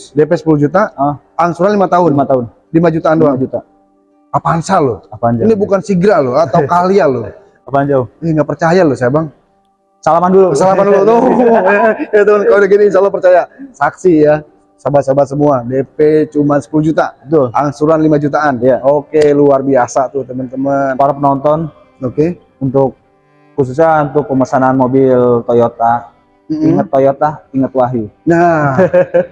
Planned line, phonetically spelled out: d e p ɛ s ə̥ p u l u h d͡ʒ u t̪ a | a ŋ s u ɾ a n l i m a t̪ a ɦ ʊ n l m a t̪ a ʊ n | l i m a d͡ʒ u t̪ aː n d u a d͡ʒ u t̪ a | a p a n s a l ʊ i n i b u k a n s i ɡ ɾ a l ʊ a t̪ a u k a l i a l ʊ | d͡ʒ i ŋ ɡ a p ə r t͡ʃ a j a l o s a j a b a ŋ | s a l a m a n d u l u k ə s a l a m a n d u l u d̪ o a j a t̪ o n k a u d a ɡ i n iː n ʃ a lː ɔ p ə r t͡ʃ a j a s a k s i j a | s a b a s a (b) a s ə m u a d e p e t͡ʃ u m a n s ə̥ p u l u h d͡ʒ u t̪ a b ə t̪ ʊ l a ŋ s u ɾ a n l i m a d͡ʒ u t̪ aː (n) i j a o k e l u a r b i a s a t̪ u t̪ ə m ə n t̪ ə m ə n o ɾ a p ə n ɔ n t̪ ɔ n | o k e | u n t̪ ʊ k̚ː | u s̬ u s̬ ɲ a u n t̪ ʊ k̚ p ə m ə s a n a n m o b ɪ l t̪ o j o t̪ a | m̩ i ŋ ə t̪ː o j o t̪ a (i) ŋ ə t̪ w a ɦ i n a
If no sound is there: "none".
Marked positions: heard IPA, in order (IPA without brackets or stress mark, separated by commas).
b, n, i